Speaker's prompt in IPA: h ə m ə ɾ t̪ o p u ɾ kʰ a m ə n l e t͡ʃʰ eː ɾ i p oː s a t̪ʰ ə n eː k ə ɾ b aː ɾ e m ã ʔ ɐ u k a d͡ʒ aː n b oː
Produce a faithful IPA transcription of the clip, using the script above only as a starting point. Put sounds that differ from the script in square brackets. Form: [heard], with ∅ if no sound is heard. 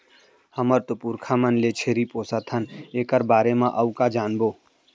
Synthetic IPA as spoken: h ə m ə ɾ t̪ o p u ɾ kʰ a m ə n l e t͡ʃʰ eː ɾ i p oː s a t̪ʰ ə n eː k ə ɾ b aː ɾ e m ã ʔ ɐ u k a d͡ʒ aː n b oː